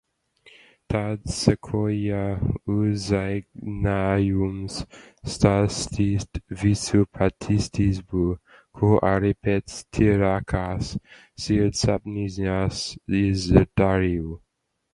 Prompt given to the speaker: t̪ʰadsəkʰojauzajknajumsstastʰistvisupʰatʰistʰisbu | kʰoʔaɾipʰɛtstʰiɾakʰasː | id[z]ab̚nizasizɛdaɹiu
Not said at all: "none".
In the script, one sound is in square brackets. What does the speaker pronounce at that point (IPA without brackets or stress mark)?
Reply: s